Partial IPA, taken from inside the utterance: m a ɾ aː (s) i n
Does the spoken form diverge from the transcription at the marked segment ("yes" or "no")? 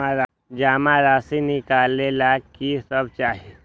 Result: no